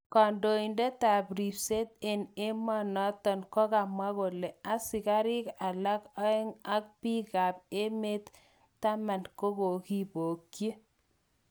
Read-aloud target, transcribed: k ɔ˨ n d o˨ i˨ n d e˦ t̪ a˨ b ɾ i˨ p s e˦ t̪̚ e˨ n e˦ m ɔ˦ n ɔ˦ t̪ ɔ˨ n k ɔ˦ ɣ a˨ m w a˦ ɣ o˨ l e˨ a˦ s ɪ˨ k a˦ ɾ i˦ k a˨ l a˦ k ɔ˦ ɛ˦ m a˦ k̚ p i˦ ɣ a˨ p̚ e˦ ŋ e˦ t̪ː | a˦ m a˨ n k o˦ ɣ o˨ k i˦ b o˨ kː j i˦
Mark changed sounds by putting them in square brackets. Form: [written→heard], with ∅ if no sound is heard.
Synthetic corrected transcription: k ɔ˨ n d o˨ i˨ n d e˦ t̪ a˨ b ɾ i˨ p s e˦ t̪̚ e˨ n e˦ m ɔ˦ n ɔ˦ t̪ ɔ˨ n k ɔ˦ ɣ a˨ m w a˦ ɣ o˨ l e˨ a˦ s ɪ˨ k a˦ ɾ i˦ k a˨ l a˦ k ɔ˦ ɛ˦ [m→ŋ] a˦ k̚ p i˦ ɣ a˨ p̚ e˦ [ŋ→m] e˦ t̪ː | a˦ m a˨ n k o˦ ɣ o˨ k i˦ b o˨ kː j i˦